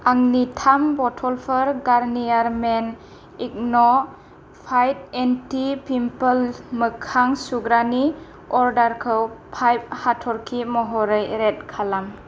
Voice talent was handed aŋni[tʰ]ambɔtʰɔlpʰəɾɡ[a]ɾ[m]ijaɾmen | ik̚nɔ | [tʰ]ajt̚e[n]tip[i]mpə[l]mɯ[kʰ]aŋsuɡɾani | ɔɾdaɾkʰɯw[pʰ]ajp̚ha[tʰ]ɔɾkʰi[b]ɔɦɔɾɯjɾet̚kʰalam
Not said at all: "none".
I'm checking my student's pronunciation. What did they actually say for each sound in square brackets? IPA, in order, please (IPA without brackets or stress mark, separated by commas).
tʰ, a, n, pʰ, n, i, l, kʰ, pʰ, tʰ, m